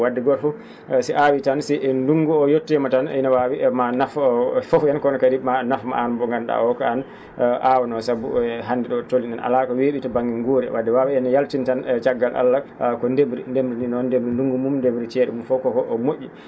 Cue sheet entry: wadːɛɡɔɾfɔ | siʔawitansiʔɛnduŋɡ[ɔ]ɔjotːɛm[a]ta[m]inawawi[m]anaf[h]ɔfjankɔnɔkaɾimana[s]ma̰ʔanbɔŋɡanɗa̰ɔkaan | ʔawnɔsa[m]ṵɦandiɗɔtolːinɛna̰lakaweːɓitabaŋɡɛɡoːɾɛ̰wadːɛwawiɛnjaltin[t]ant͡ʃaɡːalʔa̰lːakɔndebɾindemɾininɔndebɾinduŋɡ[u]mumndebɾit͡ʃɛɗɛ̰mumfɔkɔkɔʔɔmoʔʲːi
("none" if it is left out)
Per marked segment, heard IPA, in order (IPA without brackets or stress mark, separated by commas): u, a, n, m, f, f, b, t, u